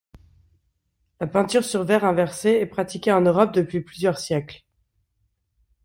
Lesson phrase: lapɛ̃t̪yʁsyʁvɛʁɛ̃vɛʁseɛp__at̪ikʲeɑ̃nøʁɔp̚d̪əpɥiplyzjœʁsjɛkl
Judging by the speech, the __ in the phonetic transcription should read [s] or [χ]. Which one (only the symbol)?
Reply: χ